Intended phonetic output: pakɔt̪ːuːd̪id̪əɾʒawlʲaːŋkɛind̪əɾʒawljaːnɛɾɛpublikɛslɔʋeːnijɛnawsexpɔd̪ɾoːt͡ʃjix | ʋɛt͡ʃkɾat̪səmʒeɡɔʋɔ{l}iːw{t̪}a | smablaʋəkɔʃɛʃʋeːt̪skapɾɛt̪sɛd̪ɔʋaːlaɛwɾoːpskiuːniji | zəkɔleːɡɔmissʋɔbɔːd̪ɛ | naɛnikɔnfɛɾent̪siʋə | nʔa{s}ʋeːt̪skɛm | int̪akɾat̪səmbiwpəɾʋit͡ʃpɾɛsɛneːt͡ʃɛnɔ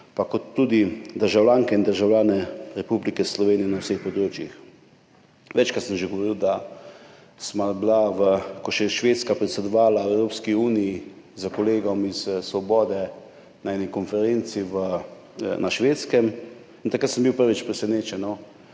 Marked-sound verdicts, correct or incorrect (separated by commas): incorrect, incorrect, incorrect